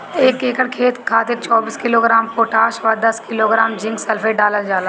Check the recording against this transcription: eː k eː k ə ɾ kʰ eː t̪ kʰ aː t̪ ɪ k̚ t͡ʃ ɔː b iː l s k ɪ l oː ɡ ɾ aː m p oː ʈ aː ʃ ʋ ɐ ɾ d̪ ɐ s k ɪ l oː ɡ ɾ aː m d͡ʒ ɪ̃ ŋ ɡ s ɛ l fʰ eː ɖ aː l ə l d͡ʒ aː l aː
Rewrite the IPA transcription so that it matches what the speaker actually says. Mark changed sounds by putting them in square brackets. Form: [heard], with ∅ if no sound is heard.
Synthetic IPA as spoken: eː k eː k ə [ɽ] kʰ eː t̪ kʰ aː t̪ ɪ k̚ t͡ʃ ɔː b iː [∅] s k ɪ l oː ɡ ɾ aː m p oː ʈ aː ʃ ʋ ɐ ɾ d̪ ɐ s k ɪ l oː ɡ ɾ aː m d͡ʒ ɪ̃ ŋ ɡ s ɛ l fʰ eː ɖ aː l ə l d͡ʒ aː l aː